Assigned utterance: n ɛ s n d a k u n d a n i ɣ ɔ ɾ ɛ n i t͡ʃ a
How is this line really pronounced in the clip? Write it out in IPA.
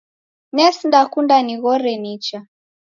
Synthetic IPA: n ɛ s n d a k u n d a n i ɣ ɔ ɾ ɛ n i t͡ʃ a